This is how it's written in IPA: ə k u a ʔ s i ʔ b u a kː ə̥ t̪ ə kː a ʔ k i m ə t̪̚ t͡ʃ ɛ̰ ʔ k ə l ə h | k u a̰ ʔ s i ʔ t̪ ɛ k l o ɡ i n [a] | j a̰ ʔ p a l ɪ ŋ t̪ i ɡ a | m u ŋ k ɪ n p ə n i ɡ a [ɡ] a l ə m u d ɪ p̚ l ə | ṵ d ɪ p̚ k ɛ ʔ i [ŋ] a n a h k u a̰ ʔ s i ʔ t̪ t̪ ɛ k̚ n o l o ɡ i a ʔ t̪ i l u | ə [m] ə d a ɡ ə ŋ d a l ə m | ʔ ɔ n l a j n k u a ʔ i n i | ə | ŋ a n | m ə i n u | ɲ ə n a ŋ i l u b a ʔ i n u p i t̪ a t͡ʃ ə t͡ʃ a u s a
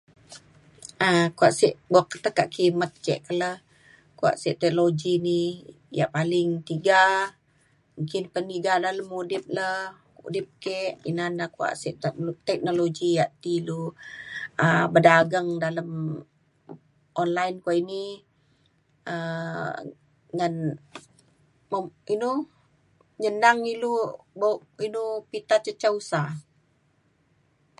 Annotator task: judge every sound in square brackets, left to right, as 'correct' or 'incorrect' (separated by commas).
incorrect, incorrect, incorrect, incorrect